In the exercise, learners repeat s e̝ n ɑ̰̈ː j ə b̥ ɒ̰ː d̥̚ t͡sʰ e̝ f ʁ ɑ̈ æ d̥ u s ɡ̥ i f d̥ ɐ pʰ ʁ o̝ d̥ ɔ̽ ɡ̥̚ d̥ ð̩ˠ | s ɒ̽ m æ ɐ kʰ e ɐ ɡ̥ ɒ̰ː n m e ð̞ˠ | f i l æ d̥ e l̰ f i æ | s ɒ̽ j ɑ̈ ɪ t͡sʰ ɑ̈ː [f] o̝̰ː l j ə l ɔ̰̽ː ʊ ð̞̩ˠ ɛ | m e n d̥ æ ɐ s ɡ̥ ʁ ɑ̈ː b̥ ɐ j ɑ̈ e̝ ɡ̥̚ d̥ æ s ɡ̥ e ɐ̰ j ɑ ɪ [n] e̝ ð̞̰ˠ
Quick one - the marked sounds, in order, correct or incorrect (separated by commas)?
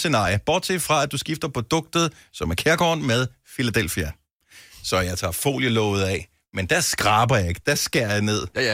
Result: correct, correct